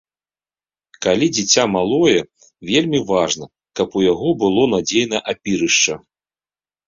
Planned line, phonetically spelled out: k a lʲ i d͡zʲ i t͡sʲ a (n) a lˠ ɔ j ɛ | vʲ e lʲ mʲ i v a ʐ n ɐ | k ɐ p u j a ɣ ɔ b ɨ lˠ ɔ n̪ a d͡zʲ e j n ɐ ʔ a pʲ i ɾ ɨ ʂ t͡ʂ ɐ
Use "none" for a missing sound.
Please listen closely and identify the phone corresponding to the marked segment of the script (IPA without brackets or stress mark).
m